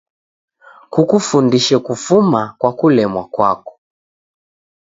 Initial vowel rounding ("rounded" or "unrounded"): rounded